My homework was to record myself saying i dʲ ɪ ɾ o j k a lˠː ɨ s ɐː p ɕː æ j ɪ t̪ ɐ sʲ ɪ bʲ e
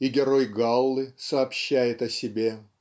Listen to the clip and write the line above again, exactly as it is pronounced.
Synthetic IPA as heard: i ɡʲ ɪ ɾ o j ɡ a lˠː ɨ s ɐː p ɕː æ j ɪ t̪ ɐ sʲ ɪ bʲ e